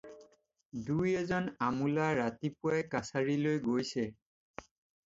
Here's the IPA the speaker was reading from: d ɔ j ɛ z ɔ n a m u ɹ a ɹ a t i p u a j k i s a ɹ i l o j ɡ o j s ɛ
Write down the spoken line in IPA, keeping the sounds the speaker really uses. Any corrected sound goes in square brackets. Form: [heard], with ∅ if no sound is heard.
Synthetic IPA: d [u] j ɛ z ɔ n a m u [l] a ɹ a t i p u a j k [a] s a ɹ i l o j ɡ o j s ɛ